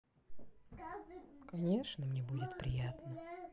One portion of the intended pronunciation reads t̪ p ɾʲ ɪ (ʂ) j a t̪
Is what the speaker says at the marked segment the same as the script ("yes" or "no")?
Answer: no